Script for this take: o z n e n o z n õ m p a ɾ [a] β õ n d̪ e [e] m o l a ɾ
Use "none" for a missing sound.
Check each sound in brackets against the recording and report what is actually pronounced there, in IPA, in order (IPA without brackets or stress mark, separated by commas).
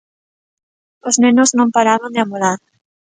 a, a